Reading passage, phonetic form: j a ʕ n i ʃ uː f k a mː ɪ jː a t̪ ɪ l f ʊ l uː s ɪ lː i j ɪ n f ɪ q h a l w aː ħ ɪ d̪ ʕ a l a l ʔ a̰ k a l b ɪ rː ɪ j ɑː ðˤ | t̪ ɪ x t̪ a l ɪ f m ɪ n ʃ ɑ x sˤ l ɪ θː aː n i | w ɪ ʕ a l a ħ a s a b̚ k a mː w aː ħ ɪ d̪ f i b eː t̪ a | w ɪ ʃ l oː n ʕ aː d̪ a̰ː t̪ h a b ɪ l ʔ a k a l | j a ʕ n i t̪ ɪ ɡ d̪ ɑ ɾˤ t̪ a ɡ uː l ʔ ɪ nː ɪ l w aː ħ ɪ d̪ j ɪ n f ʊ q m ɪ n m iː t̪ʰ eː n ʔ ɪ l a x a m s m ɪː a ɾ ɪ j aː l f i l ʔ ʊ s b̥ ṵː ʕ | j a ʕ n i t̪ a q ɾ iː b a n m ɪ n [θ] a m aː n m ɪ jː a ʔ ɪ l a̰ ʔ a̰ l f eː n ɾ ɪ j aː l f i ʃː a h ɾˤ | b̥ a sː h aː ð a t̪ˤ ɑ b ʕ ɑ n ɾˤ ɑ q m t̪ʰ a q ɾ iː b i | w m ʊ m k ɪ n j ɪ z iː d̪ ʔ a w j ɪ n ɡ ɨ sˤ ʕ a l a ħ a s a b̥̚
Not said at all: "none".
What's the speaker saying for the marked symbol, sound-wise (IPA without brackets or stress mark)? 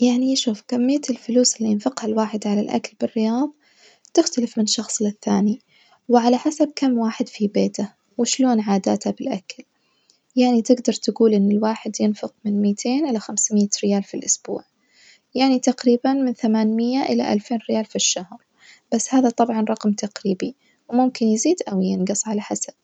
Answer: θ